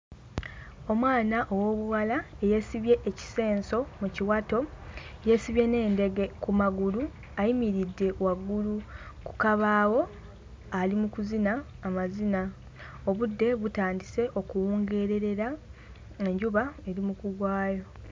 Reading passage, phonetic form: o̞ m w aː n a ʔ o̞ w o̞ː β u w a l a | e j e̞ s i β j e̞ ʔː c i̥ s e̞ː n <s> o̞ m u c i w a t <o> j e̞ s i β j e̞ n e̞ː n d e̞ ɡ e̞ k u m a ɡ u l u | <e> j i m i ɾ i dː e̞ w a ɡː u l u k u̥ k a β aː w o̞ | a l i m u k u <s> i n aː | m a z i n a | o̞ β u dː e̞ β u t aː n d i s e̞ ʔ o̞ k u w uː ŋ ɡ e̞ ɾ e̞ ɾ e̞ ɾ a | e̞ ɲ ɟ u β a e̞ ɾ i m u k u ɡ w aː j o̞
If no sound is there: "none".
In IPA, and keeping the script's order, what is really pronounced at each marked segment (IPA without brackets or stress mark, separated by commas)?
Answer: s, o, a, z